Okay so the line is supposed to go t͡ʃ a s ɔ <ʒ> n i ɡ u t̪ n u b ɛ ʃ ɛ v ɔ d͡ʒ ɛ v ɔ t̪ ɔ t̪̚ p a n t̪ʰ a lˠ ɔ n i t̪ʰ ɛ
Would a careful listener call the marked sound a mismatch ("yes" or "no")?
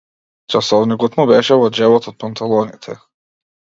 yes